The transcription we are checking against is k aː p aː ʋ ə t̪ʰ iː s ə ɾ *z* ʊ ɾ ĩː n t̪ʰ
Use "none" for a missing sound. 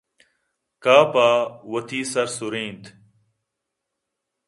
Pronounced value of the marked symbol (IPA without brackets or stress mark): s